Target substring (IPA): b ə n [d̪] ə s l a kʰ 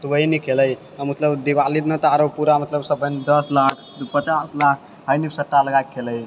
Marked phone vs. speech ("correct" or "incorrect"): correct